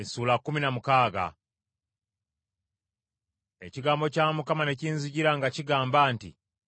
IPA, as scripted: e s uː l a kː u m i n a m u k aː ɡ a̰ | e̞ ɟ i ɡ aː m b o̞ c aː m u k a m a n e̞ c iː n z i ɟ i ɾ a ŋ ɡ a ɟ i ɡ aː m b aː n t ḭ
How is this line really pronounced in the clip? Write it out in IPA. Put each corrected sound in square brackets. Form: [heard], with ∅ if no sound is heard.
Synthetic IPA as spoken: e s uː l a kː u m i n a m u k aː ɡ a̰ | e̞ [c] i ɡ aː m b o̞ c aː m u k a m a n e̞ c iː n z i ɟ i ɾ a ŋ ɡ a [c] i ɡ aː m b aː n t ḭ